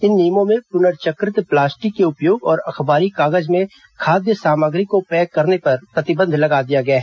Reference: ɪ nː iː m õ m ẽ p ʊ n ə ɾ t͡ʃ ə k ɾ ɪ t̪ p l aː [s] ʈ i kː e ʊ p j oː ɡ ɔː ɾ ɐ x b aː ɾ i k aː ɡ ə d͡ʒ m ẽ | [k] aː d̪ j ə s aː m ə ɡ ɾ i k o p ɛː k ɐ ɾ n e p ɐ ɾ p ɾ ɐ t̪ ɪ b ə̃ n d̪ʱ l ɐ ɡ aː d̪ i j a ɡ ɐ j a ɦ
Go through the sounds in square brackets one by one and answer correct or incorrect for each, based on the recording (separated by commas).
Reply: correct, incorrect